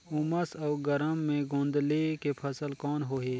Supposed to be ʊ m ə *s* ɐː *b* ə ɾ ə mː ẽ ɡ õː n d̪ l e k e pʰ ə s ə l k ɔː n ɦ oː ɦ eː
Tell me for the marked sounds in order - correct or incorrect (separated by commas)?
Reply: correct, incorrect